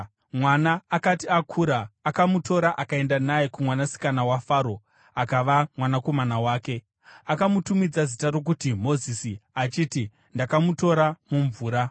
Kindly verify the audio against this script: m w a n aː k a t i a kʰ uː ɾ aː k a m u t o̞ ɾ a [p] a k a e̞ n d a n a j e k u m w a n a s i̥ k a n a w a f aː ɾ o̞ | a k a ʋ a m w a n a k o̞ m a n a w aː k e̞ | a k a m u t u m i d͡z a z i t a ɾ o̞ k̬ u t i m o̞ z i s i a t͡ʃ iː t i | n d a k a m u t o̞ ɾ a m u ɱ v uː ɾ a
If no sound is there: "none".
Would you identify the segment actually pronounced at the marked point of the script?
ʔ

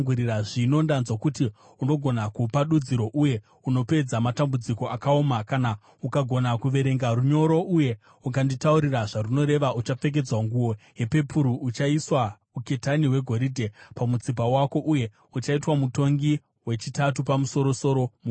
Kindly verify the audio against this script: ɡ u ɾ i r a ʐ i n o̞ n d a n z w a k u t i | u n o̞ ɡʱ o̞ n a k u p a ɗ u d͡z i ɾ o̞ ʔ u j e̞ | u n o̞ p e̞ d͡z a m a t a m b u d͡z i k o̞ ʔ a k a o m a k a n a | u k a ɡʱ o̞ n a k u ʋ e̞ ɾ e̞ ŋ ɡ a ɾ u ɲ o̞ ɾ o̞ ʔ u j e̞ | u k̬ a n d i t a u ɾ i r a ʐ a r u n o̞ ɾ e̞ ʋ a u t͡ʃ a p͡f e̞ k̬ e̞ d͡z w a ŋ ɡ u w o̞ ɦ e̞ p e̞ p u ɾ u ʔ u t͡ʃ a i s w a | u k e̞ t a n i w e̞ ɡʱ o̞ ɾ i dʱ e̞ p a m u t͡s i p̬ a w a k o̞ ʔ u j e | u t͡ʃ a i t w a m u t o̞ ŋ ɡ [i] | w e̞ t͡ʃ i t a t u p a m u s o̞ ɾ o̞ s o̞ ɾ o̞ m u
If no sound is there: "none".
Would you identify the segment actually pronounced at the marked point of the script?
i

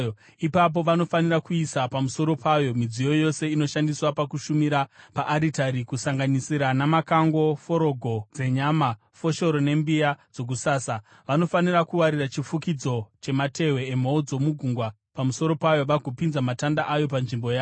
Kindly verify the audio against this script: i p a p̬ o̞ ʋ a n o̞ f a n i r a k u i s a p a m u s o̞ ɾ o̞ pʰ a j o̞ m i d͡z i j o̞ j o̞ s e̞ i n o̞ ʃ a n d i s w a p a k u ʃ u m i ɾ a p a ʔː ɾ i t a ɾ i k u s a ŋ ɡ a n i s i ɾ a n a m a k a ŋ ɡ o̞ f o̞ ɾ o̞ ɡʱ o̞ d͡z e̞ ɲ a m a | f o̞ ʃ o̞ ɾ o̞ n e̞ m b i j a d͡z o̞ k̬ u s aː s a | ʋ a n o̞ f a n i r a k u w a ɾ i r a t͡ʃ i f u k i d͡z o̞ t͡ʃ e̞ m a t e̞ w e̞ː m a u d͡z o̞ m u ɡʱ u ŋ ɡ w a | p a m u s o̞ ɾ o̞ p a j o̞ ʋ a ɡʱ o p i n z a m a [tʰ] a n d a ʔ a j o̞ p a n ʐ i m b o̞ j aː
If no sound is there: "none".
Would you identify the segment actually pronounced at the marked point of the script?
t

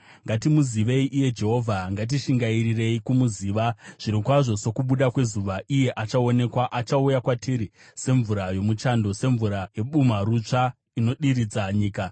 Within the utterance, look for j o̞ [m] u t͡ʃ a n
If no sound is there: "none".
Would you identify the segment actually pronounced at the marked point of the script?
m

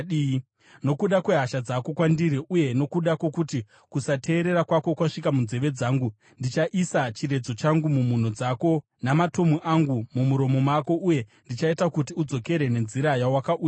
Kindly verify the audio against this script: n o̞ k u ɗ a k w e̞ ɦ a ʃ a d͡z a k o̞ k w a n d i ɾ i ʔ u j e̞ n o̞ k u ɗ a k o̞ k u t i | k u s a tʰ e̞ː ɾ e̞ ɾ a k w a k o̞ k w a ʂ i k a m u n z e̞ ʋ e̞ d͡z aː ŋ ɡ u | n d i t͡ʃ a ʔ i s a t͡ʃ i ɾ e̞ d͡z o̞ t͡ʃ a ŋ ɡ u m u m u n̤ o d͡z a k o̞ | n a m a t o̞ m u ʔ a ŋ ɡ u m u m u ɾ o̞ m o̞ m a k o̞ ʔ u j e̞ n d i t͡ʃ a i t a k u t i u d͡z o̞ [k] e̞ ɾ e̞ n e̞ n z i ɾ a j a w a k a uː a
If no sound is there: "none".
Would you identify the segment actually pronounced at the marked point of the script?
k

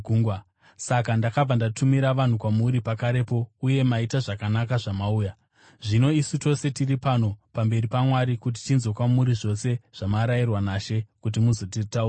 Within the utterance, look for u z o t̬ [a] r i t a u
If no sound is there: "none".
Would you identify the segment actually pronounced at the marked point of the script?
i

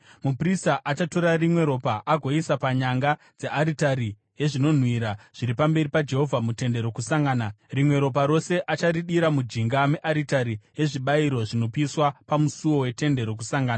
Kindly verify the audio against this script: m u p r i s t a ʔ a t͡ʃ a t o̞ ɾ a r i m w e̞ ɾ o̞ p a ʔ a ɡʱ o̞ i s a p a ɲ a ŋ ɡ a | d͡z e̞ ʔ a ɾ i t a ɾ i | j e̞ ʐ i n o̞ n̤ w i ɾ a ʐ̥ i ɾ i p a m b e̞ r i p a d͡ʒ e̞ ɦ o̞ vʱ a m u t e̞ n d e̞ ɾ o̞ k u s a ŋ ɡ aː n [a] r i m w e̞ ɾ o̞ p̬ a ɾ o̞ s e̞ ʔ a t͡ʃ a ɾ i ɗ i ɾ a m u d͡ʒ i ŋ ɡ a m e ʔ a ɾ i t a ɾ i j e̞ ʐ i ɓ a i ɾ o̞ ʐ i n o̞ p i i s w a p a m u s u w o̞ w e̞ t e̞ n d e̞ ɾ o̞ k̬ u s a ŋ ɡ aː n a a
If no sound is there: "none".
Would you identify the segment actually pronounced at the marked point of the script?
a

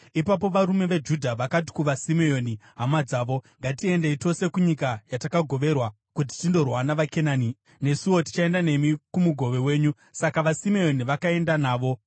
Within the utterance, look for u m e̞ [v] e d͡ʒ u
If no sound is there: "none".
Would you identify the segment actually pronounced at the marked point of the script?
ʋ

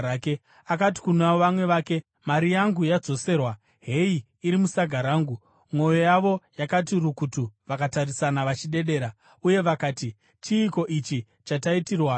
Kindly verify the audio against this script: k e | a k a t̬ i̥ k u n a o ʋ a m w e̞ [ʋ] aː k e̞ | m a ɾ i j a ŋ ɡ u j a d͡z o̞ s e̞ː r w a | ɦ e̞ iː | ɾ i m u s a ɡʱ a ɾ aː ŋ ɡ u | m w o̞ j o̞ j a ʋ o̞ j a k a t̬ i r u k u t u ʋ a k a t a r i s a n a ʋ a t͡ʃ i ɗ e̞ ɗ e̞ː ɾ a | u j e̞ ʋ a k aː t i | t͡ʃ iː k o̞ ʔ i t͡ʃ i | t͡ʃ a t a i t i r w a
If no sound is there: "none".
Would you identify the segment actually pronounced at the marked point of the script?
ʋ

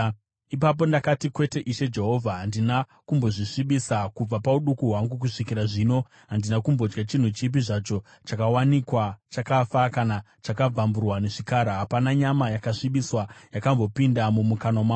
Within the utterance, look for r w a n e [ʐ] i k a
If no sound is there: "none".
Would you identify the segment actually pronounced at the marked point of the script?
ʐ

